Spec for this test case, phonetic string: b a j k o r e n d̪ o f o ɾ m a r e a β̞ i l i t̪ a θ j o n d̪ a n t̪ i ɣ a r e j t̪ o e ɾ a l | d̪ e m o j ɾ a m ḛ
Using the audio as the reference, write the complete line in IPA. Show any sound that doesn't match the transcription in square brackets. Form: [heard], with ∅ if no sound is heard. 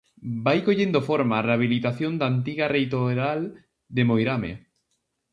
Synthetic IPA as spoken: b a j k o [ʎ] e n d̪ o f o ɾ m a r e a β̞ i l i t̪ a θ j o n d̪ a n t̪ i ɣ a r e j t̪ o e ɾ a l | d̪ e m o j ɾ a m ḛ